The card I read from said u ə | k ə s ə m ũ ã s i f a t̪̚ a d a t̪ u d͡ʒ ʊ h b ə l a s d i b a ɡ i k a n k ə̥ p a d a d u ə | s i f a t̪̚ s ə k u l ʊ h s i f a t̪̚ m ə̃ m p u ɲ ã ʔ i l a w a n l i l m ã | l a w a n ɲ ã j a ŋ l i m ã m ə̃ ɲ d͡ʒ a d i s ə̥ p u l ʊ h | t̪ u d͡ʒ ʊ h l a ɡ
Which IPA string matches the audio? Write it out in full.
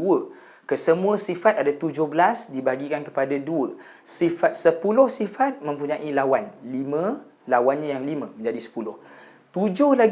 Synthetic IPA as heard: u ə | k ə s ə m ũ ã s i f a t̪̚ a d a t̪ u d͡ʒ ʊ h b ə l a s d i b a ɡ i k a n k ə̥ p a d a d u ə | s i f a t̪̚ s ə p u l ʊ h s i f a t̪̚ m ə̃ m p u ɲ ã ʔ i l a w a n l i m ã | l a w a n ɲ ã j a ŋ l i m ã m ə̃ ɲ d͡ʒ a d i s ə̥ p u l ʊ h | t̪ u d͡ʒ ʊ h l a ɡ